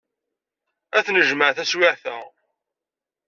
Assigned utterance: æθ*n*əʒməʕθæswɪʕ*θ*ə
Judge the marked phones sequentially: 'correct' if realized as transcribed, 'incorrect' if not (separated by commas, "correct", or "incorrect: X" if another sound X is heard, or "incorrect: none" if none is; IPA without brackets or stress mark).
correct, correct